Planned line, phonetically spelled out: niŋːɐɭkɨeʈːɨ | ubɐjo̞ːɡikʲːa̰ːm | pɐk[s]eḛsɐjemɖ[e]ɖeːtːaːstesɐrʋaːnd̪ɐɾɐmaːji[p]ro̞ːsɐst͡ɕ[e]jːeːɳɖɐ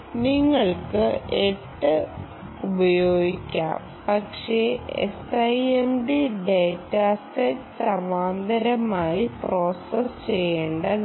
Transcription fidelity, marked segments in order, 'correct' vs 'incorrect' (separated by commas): incorrect, incorrect, correct, correct